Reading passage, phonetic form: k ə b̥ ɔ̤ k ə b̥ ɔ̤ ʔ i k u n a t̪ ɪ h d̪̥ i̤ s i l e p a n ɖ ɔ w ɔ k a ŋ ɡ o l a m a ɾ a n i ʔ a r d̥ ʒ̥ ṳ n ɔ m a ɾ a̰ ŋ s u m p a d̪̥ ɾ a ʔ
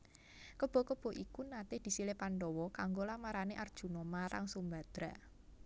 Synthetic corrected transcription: k ə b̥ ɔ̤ k ə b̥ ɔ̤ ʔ i k u n a t̪ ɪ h d̪̥ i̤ s i l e p a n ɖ ɔ w ɔ k a ŋ ɡ o l a m a ɾ a n e ʔ a r d̥ ʒ̥ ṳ n ɔ m a ɾ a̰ ŋ s u m b a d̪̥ ɾ a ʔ